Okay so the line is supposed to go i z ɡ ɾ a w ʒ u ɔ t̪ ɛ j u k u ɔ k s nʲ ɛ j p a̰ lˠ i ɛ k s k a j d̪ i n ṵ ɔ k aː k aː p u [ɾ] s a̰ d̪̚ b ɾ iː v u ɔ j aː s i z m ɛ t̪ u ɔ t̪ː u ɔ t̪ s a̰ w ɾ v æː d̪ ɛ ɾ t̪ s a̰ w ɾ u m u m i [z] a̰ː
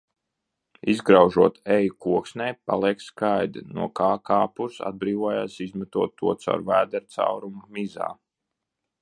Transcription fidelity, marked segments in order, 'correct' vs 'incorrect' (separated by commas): correct, correct